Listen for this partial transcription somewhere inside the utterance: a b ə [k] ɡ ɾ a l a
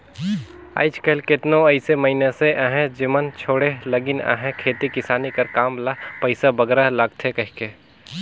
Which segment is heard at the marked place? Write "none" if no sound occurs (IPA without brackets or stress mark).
none